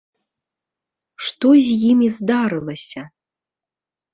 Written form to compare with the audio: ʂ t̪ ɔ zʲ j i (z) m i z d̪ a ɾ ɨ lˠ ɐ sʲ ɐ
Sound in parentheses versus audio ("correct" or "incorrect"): incorrect